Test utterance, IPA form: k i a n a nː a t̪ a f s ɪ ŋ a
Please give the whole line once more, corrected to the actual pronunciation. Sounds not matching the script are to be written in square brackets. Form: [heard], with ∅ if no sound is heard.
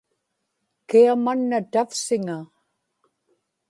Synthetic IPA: k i a [m] a nː a t̪ a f s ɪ ŋ a